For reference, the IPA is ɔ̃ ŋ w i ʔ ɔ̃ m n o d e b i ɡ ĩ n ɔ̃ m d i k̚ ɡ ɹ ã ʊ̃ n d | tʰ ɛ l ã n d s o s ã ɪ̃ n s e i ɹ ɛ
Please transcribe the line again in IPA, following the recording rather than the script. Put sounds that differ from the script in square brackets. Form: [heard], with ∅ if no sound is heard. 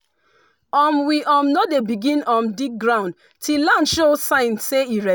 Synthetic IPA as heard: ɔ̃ [m] w i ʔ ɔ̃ m n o d e b i ɡ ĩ n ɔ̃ m d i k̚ ɡ ɹ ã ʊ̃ n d | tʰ [i] l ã n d [ʃ] o s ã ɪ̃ n s e i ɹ ɛ